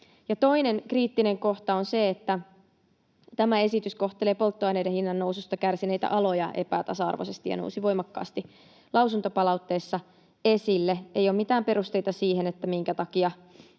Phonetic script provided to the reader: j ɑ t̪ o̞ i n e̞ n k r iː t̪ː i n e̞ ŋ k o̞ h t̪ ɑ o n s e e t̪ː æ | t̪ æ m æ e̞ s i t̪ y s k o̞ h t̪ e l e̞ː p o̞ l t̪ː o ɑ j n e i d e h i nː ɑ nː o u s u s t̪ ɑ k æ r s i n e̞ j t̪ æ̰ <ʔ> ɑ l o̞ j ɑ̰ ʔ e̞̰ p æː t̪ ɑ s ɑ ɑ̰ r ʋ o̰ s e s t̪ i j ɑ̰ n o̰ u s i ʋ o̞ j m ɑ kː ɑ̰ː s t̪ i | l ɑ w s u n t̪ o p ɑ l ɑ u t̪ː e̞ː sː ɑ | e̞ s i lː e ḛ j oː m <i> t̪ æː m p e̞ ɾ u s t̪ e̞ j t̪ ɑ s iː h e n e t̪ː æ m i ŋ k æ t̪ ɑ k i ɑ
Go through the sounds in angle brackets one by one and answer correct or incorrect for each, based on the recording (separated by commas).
correct, correct